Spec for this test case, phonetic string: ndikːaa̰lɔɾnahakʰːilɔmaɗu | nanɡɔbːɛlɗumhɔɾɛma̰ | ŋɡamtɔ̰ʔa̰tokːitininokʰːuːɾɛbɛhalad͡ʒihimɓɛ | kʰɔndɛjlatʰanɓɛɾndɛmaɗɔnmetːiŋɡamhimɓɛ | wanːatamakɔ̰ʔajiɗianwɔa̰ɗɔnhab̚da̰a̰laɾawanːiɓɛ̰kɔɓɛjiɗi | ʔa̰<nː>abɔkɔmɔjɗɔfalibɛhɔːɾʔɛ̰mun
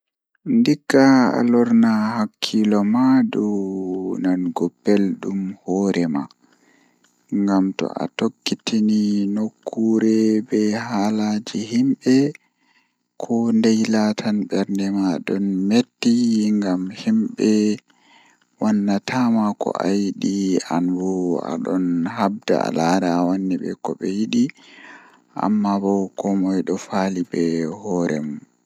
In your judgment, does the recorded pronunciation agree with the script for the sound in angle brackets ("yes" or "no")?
no